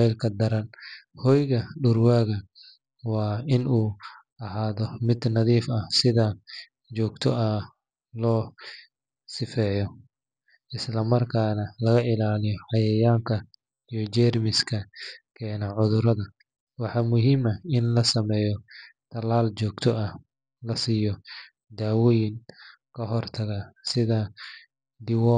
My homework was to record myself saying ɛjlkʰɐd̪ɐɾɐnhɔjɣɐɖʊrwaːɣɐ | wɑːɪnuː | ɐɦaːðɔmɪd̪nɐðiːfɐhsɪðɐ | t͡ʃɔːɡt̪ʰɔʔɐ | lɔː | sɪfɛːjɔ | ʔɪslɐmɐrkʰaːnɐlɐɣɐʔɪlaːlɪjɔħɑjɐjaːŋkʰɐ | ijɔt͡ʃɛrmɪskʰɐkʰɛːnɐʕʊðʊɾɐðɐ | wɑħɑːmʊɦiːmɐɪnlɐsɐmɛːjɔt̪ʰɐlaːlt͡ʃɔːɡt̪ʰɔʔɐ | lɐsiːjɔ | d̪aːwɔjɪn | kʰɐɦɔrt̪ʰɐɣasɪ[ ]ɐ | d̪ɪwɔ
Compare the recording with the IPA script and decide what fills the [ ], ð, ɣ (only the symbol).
ð